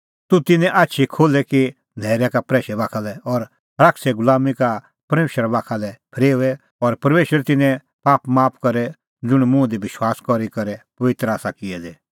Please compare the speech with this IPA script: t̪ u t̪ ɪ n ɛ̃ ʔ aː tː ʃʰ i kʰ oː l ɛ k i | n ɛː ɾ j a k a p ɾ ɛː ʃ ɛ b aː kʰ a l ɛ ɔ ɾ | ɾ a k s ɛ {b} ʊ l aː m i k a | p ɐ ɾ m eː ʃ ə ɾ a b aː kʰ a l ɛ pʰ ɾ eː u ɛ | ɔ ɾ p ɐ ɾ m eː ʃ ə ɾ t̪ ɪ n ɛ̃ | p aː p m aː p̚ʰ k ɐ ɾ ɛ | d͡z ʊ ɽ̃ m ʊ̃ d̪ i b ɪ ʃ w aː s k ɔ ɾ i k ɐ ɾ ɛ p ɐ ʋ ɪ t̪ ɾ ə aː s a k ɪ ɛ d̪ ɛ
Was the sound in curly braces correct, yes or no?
no